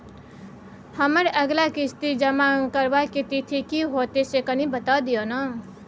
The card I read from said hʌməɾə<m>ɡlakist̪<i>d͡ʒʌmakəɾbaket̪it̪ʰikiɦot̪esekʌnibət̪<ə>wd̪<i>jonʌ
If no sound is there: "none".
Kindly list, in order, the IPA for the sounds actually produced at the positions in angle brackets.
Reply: none, i, a, i

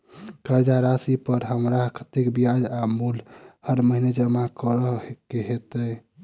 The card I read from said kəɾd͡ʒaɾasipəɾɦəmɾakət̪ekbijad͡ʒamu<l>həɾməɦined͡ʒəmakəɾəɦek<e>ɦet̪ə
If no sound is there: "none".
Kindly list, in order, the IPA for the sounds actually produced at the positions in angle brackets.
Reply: l, e

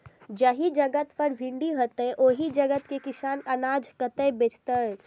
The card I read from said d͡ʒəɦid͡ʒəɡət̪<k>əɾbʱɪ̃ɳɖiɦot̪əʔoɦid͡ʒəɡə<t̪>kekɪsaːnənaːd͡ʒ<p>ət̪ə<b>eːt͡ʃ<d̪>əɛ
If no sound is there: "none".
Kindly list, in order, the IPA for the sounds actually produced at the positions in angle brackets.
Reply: p, t̪, k, b, t̪

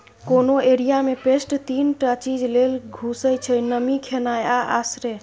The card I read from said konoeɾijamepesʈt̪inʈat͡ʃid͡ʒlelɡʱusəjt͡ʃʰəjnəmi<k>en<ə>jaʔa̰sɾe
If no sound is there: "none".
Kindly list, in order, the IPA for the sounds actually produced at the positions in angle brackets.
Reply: kʰ, a

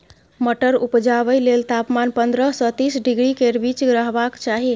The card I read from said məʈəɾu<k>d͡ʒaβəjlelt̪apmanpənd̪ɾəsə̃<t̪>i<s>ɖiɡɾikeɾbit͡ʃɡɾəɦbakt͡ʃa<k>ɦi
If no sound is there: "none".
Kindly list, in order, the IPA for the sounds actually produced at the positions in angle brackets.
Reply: p, t̪, s, none

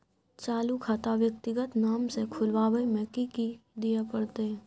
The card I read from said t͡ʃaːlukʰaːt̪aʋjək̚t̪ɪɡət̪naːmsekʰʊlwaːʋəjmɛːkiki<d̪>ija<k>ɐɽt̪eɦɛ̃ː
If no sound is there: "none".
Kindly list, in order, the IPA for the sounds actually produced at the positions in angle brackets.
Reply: d̪, p

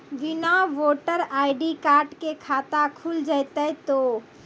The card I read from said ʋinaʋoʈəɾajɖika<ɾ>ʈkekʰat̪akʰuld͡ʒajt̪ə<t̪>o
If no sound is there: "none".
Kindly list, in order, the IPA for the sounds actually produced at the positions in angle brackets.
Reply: ɾ, t̪

